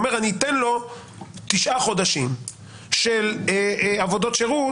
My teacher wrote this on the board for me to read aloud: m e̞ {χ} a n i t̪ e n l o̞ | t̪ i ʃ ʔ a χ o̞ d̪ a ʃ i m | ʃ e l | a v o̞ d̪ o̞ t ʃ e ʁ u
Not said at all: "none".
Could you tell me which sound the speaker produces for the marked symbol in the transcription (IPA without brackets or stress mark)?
ʁ